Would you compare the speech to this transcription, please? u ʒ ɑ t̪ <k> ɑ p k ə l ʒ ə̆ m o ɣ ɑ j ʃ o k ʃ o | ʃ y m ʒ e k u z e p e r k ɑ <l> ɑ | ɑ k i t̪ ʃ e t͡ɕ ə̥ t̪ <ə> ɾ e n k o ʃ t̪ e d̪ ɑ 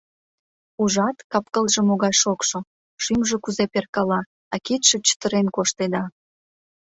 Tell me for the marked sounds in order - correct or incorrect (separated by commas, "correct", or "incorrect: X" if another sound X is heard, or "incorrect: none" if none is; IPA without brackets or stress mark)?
correct, correct, correct